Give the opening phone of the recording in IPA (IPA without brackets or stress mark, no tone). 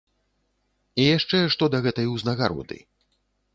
i